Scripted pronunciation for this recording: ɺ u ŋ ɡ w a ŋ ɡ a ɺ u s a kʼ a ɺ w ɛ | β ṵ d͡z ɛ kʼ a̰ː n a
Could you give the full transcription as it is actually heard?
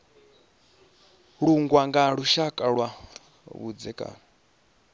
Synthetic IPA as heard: ɺ u ŋ ɡ w a ŋ ɡ a ɺ u ʃ a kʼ a ɺ w a | β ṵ d͡z ɛ kʼ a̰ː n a